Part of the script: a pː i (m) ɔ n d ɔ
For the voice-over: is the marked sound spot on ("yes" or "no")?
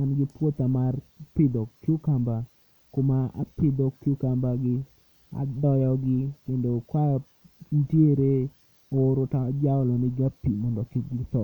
yes